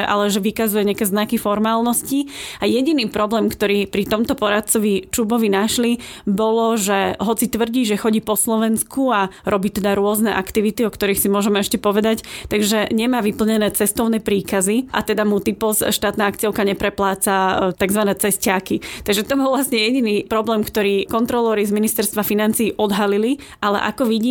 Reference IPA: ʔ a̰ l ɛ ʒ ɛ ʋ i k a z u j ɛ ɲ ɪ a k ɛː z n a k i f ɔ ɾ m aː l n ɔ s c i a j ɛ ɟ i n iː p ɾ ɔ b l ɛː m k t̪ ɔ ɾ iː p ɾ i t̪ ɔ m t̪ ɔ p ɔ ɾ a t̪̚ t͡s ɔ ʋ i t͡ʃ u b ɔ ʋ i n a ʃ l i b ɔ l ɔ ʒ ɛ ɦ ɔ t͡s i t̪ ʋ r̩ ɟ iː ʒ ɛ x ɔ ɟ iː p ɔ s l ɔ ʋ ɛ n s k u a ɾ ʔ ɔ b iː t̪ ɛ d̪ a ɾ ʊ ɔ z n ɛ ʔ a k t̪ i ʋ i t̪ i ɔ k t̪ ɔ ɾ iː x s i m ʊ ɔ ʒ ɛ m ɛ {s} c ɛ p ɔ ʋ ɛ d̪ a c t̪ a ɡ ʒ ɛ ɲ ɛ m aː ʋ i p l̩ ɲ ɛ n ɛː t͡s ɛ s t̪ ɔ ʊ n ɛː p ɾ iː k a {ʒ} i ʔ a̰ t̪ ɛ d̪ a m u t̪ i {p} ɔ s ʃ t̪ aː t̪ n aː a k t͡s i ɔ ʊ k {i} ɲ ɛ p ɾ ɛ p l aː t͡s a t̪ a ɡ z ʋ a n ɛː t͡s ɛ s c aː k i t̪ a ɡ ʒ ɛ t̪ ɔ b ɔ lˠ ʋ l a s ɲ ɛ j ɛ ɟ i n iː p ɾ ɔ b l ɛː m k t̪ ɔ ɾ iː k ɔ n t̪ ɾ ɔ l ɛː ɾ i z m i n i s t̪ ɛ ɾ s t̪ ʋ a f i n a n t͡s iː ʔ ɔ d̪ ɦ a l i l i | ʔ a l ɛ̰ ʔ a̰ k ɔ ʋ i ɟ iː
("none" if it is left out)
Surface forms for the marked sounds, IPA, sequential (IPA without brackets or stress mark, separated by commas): ʃ, z, p, a